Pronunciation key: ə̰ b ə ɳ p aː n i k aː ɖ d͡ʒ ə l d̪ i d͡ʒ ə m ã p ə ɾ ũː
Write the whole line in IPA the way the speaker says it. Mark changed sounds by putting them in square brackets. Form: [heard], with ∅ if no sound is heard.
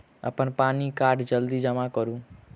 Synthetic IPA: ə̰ [p] ə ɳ p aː n i k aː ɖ d͡ʒ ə l d̪ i d͡ʒ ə m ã [k] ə ɾ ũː